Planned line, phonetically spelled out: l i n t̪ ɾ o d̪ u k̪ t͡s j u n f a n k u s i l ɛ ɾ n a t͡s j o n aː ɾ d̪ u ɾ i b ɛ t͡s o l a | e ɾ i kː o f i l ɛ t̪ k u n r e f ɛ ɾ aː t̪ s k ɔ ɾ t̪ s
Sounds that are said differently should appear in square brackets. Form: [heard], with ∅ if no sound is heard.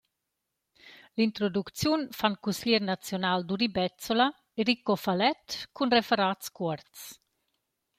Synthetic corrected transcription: l i n t̪ ɾ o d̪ u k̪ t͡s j u n f a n k u s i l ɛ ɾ n a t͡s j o n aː [l] d̪ u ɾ i b ɛ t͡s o l a | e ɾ i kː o f [a] l ɛ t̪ k u n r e f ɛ ɾ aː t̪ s k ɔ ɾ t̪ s